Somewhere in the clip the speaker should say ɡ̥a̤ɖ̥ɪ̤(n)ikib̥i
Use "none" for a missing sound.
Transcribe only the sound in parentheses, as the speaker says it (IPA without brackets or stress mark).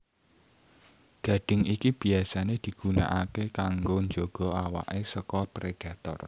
ŋ